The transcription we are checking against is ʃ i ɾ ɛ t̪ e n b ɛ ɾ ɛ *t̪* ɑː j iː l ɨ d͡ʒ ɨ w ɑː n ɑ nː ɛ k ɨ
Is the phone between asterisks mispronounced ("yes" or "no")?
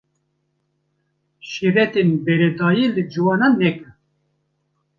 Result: yes